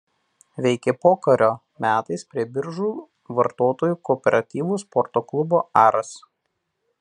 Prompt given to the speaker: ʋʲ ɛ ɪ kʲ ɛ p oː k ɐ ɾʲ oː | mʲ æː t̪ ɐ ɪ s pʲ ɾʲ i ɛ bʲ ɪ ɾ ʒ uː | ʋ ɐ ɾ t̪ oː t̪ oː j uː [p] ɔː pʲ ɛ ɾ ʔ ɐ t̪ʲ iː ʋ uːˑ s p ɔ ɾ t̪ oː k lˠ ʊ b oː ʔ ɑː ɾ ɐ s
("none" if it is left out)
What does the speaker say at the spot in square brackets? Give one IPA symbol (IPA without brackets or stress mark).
k